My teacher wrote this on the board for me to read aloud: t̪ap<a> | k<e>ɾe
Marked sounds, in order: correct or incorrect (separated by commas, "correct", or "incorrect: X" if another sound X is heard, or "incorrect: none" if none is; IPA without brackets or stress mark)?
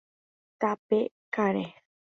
incorrect: e, incorrect: a